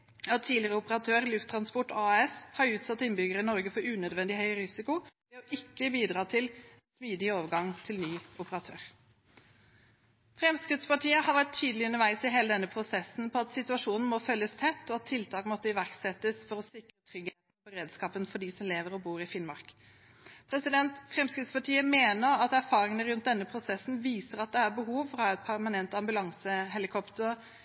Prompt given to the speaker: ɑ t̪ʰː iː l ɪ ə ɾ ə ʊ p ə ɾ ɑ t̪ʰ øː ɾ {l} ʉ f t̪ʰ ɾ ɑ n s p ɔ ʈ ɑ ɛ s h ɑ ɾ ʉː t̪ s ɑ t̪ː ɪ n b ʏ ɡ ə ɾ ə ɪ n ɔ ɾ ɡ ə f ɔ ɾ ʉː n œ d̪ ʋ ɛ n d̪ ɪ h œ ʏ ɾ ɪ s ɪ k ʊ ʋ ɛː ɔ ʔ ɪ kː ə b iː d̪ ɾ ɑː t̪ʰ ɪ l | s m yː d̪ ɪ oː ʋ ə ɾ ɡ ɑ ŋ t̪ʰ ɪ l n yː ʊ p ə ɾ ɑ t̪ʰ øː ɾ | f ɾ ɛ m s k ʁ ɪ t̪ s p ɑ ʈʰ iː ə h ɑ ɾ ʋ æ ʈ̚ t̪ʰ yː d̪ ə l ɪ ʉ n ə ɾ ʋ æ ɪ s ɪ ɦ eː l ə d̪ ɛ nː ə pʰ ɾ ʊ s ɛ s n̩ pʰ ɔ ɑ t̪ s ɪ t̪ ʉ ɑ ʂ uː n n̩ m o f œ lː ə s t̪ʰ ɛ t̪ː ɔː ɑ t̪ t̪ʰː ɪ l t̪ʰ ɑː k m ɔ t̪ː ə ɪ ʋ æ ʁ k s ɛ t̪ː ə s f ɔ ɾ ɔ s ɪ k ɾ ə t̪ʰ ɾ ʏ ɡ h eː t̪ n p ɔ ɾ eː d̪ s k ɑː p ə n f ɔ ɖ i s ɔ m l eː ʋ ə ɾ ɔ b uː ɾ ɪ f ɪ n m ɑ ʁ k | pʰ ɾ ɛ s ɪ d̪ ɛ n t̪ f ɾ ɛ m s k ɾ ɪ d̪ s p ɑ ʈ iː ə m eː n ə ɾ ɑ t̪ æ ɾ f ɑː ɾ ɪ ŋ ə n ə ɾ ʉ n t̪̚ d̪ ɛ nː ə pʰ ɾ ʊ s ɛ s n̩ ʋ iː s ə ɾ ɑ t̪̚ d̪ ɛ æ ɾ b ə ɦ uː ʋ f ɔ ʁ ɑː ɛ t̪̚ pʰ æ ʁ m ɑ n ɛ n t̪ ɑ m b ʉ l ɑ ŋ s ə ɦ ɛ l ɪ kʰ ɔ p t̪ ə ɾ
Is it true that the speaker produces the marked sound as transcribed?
yes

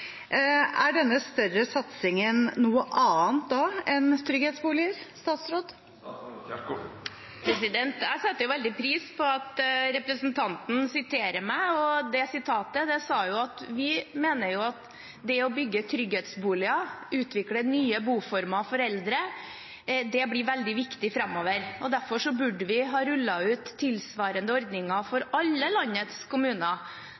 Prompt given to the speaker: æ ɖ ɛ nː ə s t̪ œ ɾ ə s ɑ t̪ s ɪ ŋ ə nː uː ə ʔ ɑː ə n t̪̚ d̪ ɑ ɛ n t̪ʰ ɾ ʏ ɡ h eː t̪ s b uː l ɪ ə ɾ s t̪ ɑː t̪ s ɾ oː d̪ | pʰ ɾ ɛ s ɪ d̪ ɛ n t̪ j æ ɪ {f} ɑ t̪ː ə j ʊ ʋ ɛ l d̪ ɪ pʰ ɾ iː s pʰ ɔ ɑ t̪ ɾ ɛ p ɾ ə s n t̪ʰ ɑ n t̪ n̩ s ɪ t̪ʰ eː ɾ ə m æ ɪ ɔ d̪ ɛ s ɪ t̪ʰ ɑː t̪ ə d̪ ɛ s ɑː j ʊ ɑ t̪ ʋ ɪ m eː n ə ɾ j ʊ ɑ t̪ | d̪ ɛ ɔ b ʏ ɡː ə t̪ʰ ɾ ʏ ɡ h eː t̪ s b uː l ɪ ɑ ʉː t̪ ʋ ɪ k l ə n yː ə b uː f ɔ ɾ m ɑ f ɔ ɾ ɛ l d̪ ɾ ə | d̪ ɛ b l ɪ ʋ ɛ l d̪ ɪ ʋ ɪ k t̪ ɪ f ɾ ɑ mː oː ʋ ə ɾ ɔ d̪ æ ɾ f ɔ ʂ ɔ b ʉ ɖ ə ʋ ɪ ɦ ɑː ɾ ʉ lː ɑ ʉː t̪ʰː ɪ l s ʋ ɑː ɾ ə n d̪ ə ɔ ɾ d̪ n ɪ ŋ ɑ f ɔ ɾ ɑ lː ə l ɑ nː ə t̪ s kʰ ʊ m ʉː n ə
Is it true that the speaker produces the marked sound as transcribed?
no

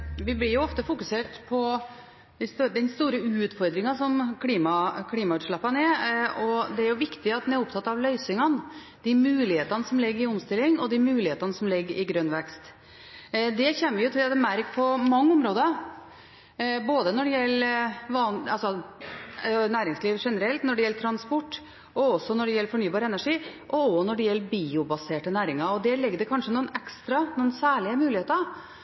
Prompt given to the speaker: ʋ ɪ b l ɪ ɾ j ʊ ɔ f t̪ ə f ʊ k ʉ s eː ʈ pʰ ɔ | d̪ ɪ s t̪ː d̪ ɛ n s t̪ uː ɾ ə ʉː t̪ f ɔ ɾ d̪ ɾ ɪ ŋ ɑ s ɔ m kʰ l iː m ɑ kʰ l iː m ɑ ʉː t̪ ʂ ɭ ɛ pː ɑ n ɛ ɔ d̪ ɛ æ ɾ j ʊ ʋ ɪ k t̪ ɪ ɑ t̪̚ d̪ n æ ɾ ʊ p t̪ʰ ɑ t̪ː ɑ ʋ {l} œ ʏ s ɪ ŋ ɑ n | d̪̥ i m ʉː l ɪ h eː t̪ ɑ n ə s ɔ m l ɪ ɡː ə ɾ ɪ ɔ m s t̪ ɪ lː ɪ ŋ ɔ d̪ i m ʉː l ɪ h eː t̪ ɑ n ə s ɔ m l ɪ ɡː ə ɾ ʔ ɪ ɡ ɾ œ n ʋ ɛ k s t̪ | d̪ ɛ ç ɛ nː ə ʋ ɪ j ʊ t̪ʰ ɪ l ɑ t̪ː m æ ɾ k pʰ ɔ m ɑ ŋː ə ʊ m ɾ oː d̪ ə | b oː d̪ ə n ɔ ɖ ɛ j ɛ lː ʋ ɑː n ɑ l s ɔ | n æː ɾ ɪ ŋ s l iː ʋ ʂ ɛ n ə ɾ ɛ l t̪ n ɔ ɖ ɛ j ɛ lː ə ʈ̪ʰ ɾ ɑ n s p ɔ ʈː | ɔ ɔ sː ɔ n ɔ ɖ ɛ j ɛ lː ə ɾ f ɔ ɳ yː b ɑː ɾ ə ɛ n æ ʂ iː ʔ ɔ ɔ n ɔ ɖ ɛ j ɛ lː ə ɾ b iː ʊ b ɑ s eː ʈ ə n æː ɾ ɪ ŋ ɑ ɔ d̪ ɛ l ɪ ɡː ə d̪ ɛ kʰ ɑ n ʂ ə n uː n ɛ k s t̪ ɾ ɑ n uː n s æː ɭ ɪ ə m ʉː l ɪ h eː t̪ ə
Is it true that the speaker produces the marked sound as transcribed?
yes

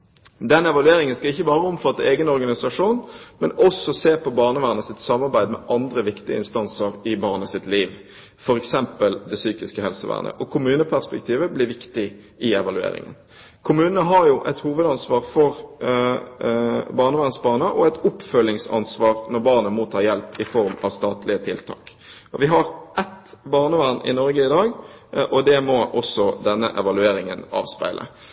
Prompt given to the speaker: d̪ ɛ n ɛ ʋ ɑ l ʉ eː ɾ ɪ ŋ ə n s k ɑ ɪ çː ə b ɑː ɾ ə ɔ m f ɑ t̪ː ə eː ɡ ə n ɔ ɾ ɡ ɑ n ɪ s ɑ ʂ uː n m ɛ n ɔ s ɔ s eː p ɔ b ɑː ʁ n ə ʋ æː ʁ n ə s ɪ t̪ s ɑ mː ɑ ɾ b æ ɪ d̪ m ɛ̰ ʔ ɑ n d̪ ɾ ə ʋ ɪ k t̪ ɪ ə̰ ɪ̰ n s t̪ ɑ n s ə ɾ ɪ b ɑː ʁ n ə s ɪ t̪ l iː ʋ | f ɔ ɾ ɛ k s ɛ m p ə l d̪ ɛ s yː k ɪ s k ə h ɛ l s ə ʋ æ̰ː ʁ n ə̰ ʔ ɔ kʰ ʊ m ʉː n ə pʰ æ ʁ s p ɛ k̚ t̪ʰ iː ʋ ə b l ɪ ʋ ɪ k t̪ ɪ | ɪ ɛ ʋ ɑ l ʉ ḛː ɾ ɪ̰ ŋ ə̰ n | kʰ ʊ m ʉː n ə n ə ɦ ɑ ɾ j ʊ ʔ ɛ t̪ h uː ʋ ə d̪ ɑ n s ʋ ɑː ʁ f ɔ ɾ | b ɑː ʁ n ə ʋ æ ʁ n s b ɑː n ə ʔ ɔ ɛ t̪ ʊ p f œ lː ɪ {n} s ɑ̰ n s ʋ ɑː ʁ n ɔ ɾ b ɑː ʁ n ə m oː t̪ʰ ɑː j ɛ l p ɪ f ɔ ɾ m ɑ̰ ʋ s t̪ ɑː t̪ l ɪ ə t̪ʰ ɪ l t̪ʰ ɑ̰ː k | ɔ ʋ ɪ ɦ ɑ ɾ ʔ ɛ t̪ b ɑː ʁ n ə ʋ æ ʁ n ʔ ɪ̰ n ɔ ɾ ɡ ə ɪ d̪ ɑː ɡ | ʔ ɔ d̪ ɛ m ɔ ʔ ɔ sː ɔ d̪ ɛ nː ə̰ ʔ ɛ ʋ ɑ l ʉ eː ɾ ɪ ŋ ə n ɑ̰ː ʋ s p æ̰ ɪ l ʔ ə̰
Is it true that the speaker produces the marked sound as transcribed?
no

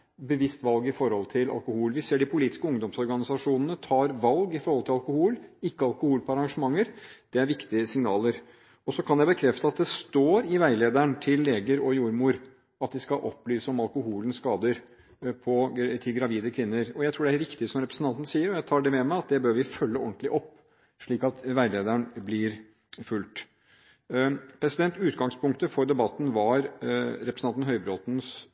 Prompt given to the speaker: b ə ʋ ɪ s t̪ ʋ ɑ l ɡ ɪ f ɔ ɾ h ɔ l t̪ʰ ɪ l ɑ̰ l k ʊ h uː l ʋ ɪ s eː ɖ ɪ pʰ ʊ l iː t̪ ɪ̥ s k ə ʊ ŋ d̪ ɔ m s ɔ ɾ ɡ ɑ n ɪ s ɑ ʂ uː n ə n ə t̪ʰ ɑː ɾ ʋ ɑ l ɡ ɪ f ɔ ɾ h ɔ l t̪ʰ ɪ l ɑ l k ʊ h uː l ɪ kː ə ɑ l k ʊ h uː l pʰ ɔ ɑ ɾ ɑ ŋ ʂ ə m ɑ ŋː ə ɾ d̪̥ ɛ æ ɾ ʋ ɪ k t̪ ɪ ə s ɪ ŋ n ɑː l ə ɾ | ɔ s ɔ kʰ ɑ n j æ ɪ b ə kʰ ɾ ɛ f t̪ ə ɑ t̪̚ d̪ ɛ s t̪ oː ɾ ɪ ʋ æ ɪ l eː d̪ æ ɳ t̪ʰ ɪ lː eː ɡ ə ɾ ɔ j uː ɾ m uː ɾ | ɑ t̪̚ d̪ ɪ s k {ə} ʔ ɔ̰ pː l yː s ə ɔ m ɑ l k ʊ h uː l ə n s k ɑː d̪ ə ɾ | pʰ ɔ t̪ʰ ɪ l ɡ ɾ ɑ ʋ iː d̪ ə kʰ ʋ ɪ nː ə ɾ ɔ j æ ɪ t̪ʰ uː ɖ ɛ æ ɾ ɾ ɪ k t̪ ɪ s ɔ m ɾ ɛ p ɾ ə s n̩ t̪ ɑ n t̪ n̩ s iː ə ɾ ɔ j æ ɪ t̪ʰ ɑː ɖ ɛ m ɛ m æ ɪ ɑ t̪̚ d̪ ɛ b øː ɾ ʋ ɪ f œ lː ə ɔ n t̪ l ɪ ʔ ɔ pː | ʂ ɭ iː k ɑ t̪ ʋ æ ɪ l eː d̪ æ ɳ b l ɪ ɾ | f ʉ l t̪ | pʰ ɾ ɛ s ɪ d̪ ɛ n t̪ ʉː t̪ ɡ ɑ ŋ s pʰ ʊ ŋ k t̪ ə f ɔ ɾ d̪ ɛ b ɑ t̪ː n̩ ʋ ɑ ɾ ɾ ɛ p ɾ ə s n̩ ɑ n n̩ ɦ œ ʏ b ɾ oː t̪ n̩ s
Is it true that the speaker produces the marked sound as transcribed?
no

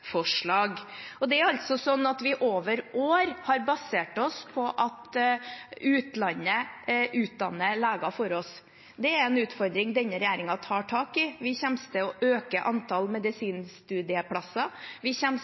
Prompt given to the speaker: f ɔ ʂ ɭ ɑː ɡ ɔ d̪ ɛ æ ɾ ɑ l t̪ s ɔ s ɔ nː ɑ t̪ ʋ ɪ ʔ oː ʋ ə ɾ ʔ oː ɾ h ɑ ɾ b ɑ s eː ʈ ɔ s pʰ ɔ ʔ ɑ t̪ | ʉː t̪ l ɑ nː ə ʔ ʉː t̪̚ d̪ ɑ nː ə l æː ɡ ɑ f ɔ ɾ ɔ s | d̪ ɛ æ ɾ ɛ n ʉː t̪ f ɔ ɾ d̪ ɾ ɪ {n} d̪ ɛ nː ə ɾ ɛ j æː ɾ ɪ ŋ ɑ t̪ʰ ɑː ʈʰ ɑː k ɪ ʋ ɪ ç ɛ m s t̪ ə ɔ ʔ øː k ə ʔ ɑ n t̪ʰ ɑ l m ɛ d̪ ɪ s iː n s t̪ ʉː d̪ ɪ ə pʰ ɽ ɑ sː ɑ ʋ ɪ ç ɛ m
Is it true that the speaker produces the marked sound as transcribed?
no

